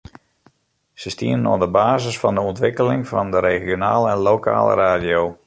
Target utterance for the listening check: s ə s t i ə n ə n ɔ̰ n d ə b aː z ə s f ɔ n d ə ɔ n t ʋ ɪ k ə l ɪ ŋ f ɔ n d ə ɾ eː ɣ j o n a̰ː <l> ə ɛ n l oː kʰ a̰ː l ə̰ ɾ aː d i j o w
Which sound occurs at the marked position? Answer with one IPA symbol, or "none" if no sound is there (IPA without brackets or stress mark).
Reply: l